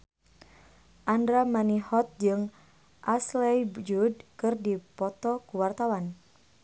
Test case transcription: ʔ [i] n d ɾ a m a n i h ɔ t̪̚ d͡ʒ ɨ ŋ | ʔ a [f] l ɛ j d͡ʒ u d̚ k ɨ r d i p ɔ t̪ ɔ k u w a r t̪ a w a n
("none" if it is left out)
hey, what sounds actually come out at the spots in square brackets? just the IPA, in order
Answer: a, s

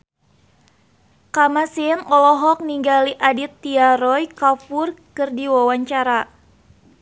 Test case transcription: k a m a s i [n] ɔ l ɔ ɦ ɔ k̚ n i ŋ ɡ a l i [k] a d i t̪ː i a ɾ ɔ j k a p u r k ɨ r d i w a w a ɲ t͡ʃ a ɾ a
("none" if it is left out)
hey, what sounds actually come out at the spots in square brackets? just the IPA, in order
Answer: n, ʔ

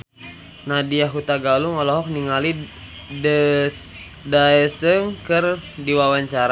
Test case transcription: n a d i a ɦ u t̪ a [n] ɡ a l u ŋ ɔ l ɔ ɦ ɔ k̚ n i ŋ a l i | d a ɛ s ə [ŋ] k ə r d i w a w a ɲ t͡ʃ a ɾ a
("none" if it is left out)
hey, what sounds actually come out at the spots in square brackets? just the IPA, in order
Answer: none, ŋ

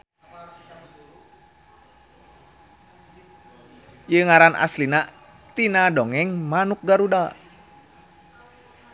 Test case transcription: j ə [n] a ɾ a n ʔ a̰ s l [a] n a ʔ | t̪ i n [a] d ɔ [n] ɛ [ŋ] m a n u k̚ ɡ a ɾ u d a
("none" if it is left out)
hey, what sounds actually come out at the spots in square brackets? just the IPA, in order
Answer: ŋ, i, a, ŋ, ŋ

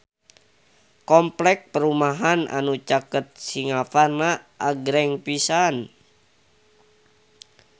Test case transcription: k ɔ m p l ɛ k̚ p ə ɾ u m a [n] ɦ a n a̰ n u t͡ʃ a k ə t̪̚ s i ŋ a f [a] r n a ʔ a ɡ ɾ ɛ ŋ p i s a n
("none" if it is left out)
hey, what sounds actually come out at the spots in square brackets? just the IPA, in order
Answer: none, a

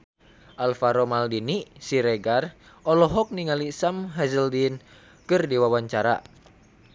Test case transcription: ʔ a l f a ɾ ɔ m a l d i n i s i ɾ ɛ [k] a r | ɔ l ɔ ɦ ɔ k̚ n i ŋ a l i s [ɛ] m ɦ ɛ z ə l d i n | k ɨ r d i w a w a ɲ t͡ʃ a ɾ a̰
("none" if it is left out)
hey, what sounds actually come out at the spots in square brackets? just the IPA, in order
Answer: ɡ, a

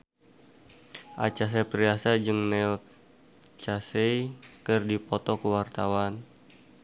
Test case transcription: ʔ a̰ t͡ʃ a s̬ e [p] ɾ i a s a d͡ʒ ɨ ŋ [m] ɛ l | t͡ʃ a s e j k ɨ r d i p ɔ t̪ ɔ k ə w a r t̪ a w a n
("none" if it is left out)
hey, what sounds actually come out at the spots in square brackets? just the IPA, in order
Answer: p, n

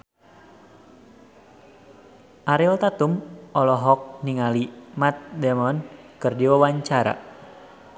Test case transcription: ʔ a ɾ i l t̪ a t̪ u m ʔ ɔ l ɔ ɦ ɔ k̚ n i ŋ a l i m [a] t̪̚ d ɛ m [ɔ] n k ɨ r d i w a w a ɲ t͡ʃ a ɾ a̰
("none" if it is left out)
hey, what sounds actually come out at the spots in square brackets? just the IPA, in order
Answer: a, ɔ

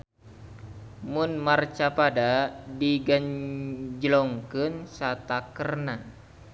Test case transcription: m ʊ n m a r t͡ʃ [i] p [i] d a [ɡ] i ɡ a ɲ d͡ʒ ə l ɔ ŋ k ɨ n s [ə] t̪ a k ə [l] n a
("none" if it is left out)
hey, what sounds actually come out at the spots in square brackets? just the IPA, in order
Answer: a, a, d, a, r

